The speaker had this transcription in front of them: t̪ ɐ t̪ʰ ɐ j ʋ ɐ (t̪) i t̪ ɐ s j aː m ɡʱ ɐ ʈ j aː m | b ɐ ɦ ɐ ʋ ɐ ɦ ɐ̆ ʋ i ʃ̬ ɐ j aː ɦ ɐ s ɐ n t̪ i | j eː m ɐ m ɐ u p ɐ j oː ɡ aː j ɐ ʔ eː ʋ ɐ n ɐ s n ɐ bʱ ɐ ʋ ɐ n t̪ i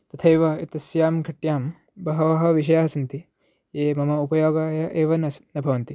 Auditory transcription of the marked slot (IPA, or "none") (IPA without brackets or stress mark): none